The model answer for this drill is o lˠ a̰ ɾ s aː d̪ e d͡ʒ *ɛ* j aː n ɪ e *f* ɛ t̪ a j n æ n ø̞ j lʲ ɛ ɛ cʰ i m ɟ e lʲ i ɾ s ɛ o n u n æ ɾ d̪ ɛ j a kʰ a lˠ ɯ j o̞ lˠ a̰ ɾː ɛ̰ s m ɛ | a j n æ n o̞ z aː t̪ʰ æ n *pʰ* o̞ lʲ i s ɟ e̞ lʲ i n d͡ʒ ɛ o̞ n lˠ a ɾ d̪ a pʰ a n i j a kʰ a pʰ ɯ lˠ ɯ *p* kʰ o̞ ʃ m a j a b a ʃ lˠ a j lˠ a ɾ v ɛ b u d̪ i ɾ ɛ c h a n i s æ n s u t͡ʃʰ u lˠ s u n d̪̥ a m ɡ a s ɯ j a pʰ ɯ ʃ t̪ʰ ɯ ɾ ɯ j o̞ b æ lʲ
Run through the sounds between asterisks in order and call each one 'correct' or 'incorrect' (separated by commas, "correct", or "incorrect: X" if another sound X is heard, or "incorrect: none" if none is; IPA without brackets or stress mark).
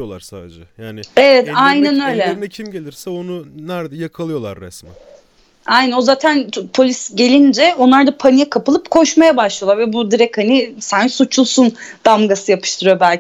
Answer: correct, incorrect: v, correct, correct